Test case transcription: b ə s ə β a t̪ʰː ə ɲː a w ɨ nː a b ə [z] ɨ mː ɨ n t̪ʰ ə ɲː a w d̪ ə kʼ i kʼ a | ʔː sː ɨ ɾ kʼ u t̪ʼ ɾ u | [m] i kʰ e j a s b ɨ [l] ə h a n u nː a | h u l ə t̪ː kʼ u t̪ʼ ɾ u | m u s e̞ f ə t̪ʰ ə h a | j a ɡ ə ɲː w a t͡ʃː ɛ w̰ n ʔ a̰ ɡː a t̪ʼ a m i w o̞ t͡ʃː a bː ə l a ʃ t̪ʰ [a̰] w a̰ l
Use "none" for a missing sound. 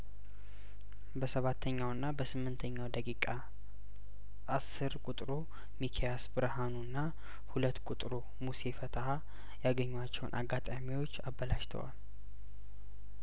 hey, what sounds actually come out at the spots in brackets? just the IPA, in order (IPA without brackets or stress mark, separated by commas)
s, m, ɾ, ə̰